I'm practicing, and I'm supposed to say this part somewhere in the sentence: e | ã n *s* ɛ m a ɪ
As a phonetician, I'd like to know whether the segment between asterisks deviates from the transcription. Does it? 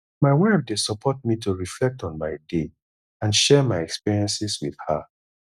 yes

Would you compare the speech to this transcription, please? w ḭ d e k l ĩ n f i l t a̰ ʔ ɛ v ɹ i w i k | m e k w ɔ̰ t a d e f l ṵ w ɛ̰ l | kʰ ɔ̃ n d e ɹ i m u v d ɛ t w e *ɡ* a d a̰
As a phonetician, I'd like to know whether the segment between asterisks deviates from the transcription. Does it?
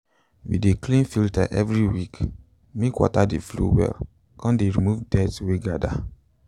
no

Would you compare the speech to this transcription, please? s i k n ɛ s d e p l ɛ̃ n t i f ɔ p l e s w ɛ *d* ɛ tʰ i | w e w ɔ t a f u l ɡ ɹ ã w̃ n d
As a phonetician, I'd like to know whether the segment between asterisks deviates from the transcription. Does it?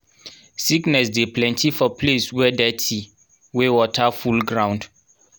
no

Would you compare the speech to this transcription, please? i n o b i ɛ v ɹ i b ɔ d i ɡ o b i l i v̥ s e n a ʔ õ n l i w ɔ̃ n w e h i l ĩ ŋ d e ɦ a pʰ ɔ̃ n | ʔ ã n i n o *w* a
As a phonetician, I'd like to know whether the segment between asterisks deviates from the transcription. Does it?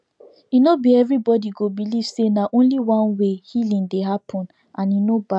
yes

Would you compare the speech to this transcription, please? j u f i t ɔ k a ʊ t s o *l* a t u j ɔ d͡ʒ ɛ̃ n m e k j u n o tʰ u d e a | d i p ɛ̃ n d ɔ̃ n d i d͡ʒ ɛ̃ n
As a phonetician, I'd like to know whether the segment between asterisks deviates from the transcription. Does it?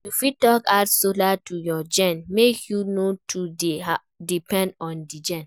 no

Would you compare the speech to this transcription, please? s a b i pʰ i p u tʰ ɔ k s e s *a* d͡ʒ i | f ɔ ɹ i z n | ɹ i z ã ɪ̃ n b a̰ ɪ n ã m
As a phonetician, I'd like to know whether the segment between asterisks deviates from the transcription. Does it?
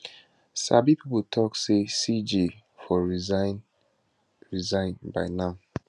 yes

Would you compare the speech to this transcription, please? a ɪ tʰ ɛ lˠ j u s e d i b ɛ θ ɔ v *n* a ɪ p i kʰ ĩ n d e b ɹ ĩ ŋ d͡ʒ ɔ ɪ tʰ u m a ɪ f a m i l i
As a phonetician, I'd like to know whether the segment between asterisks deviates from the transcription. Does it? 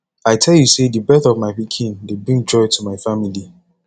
yes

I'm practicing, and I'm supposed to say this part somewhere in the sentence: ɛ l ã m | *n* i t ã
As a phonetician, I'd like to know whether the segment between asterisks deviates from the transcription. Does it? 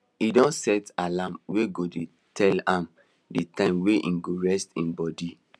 yes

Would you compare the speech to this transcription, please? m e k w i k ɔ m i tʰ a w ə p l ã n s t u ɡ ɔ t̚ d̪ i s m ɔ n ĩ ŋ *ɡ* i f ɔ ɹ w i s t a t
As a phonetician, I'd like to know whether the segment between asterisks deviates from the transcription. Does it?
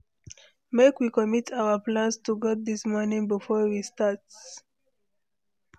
yes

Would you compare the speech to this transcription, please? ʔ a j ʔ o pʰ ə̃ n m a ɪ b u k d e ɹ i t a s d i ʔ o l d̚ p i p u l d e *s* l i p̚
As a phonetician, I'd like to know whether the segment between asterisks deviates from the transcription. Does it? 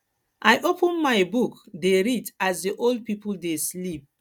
no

